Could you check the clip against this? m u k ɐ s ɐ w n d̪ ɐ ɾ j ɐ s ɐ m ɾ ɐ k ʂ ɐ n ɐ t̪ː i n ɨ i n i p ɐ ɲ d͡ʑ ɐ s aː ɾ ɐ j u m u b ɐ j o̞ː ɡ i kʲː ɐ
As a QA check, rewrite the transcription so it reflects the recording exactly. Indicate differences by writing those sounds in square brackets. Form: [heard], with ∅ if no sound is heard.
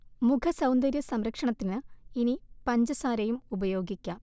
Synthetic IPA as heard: m u [kʰ] ɐ s ɐ w n d̪ ɐ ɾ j ɐ s ɐ m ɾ ɐ k ʂ ɐ [ɳ] ɐ t̪ː i n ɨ i n i p ɐ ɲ d͡ʑ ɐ s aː ɾ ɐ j u m u b ɐ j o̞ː ɡ i kʲː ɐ